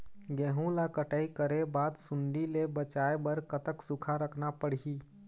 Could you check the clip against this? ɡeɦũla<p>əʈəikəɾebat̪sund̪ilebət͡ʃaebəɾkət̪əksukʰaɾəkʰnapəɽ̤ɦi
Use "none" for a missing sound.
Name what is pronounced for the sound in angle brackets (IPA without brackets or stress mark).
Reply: k